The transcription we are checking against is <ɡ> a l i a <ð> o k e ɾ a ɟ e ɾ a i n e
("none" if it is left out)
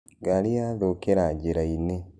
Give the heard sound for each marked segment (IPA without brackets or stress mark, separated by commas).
ɡ, ð